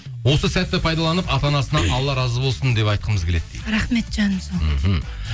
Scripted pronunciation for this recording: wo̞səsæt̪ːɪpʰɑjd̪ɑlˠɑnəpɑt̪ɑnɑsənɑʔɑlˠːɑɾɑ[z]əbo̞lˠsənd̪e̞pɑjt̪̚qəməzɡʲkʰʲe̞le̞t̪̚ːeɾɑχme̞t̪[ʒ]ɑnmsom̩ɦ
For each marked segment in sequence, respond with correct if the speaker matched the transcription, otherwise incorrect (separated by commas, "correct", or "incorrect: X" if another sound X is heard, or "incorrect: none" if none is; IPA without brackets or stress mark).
correct, correct